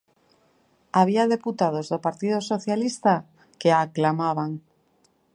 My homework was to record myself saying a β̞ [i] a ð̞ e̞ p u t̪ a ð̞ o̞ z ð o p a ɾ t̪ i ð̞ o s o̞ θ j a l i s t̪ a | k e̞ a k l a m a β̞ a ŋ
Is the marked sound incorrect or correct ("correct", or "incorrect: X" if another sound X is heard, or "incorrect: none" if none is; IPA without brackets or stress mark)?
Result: correct